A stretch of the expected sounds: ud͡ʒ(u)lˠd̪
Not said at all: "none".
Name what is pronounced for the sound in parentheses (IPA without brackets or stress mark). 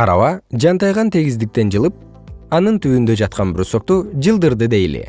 ɯ